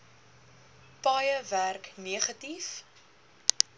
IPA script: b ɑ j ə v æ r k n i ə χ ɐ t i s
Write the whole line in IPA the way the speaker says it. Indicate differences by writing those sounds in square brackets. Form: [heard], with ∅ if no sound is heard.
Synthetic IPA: [p] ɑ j ə v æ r k n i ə χ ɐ t i [f]